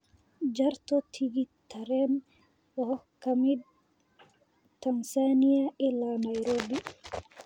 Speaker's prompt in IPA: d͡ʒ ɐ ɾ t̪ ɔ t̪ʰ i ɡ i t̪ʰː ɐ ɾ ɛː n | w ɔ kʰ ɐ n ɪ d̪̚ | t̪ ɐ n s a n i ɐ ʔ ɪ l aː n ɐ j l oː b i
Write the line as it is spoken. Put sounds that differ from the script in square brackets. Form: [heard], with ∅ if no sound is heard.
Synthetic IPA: d͡ʒ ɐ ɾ t̪ ɔ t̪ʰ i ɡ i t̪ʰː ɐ ɾ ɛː n | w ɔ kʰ ɐ [m] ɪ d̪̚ | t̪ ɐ n s a n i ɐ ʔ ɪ l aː n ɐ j [ɾ] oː b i